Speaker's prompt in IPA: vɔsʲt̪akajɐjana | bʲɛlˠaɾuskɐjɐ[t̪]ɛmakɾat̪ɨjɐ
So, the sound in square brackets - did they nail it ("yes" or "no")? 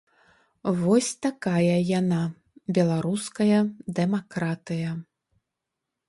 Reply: no